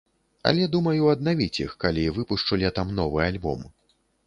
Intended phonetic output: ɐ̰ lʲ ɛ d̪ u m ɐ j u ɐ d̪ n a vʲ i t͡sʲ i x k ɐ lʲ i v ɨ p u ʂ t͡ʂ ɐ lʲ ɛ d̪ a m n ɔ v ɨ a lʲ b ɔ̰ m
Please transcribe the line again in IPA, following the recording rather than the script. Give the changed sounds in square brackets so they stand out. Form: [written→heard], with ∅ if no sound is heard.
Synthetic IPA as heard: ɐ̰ lʲ ɛ d̪ u m ɐ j u ɐ d̪ n a vʲ i t͡sʲ i x k [ɐ→a] lʲ i v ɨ p u ʂ t͡ʂ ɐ lʲ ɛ [d̪→t̪] a m n ɔ v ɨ a lʲ b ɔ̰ m